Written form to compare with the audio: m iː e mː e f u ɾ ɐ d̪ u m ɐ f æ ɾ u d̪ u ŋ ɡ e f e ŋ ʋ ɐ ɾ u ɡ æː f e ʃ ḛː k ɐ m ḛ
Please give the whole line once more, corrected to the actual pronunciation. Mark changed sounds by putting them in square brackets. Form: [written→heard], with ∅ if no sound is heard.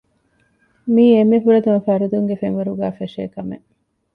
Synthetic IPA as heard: m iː e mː e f u ɾ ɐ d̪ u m ɐ f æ ɾ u d̪ u ŋ ɡ e f e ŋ ʋ ɐ ɾ u ɡ æː f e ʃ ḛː k ɐ m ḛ